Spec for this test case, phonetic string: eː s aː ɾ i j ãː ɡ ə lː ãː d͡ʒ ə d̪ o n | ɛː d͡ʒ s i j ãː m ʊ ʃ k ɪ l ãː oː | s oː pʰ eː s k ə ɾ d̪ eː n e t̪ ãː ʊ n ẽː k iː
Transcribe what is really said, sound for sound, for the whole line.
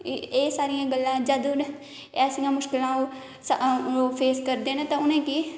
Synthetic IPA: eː s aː ɾ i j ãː ɡ ə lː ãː d͡ʒ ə d̪ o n | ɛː s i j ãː m ʊ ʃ k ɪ l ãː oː | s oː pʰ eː s k ə ɾ d̪ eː n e t̪ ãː ʊ n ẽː k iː